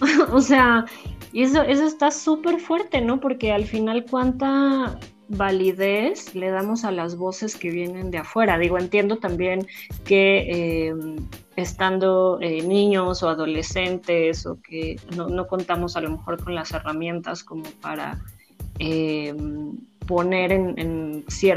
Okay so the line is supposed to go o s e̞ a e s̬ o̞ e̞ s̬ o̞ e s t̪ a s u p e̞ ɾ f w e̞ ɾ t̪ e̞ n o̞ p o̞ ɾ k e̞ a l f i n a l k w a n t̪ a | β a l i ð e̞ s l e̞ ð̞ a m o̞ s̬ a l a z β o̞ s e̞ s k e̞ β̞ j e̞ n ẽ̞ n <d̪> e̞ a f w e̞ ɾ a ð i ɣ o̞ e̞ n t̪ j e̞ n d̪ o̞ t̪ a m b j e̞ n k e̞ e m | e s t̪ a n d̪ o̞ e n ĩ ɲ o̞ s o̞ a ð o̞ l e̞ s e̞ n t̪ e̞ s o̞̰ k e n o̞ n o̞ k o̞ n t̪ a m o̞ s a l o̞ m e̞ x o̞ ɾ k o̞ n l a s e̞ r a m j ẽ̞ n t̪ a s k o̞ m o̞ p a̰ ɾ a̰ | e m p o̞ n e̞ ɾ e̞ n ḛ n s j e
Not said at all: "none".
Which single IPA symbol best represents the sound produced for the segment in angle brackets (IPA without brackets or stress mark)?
d̪